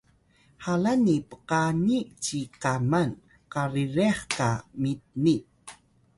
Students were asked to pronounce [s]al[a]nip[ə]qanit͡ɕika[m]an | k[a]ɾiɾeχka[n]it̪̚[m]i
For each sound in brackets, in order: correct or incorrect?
incorrect: h, correct, correct, correct, correct, incorrect: m, incorrect: n

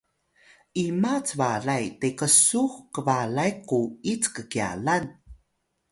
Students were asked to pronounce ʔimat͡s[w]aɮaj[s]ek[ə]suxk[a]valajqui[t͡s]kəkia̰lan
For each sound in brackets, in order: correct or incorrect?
incorrect: v, incorrect: t, correct, incorrect: ə, correct

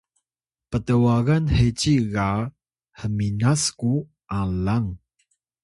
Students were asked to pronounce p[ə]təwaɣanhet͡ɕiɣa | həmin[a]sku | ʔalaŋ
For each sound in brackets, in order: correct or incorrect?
correct, correct

